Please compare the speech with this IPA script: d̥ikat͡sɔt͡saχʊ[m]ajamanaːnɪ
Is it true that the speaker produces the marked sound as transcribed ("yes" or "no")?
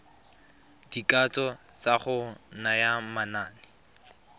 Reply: no